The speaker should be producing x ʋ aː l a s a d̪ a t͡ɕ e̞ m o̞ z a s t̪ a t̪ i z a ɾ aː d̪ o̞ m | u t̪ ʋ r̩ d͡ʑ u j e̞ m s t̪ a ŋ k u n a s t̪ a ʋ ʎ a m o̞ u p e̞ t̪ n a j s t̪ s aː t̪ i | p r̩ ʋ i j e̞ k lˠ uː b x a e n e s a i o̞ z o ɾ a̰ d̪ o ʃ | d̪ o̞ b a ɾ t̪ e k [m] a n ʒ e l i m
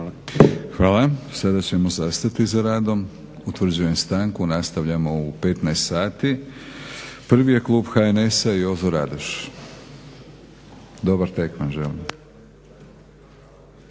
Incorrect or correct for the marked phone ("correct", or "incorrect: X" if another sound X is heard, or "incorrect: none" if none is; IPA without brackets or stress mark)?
correct